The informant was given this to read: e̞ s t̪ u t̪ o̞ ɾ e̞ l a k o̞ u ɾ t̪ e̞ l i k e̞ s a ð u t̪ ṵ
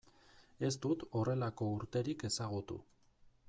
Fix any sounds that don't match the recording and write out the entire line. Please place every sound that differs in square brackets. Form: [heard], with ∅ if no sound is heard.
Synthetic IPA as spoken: e̞ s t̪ u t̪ o̞ [r] e̞ l a k o̞ u ɾ t̪ e̞ [ɾ] i k e̞ s a [ɣ] u t̪ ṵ